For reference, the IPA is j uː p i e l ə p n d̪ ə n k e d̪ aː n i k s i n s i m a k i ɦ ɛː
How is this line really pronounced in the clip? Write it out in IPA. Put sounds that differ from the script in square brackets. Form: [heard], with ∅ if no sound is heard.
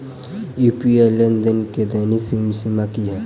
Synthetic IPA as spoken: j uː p i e l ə [∅] n d̪ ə n k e d̪ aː n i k s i [m] s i m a k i ɦ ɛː